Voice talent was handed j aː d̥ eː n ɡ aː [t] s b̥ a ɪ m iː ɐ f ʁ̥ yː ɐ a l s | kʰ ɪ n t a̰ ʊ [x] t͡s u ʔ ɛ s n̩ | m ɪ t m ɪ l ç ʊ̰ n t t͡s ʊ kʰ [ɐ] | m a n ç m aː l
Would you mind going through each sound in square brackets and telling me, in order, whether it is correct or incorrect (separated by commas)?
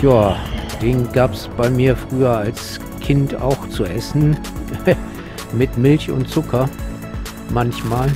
incorrect, correct, correct